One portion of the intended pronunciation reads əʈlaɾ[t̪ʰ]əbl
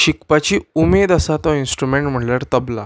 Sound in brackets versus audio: incorrect: t̪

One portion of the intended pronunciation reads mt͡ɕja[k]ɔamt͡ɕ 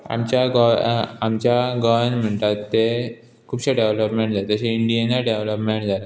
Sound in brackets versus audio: incorrect: ɡ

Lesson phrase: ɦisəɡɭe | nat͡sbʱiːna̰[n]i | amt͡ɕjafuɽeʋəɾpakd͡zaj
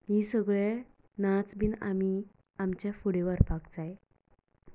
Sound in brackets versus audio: incorrect: m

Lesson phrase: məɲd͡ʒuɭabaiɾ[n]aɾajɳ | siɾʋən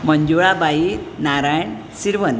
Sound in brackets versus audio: correct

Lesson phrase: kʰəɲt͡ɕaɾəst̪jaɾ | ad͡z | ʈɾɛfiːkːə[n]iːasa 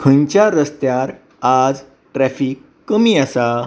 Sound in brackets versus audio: incorrect: m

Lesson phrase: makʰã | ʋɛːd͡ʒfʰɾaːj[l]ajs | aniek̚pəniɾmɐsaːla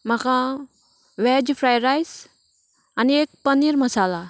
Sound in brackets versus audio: incorrect: ɾ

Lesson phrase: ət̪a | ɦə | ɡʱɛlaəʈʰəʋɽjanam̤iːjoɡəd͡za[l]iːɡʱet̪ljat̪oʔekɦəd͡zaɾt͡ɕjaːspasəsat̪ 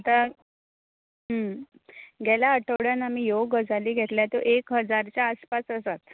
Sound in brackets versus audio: correct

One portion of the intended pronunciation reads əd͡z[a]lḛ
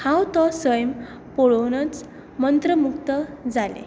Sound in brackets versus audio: correct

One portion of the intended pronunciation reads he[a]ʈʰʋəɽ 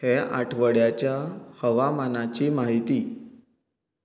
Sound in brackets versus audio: correct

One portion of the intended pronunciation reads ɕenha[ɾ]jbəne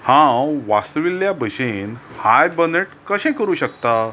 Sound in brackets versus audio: incorrect: none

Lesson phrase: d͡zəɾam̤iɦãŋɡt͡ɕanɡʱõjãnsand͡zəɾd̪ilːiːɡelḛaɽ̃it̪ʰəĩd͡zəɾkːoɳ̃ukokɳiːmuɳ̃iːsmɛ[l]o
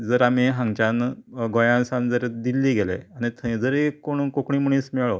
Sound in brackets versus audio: incorrect: ɭ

